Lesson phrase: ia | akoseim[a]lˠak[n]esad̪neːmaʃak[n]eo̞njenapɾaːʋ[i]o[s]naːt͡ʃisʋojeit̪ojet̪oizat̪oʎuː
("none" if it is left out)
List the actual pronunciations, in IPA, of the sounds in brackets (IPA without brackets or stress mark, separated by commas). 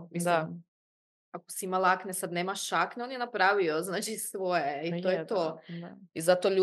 a, n, n, i, z